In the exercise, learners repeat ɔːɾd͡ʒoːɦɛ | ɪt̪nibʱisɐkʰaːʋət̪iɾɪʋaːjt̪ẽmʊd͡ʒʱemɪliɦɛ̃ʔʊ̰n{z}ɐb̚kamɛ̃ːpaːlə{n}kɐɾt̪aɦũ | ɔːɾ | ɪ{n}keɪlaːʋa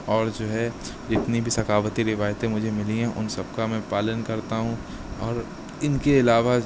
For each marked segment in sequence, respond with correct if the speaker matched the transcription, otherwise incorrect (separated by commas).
incorrect, correct, correct